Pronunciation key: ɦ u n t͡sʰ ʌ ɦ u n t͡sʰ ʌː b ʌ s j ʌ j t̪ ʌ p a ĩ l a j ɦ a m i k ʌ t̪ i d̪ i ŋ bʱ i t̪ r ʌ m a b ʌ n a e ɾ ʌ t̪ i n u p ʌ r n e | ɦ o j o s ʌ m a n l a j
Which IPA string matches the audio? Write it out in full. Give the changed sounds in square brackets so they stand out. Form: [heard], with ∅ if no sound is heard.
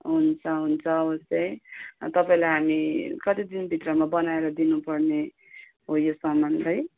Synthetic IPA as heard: ɦ u n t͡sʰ ʌ ɦ u n t͡sʰ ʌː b ʌ s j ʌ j t̪ ʌ p a ĩ l a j ɦ a m i k ʌ t̪ i d̪ i [n] bʱ i t̪ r ʌ m a b ʌ n a e ɾ ʌ [d̪] i n u p ʌ r n e | ɦ o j o s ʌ m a n l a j